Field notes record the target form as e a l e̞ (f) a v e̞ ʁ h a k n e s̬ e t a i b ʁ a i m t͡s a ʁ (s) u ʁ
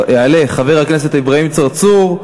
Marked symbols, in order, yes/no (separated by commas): no, no